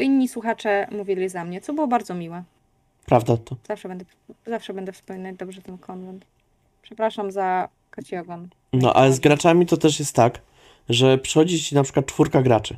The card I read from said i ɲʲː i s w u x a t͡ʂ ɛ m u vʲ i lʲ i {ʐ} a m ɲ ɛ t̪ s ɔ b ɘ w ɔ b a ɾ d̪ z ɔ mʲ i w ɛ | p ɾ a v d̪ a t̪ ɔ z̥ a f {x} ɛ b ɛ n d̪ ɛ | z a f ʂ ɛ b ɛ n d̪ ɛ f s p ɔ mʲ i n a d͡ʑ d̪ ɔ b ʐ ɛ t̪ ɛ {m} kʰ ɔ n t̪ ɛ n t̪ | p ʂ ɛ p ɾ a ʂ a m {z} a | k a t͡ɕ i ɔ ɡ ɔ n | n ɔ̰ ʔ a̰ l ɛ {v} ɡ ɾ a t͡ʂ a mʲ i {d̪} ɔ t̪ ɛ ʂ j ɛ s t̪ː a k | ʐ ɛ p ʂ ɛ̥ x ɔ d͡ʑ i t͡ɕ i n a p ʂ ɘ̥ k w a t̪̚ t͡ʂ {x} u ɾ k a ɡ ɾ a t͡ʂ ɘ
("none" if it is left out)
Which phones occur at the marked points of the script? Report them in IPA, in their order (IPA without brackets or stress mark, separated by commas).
z, ʂ, n, z, z, t̪, f